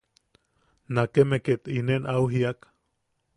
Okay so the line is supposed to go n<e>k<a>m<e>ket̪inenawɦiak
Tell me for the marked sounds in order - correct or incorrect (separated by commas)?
incorrect, incorrect, correct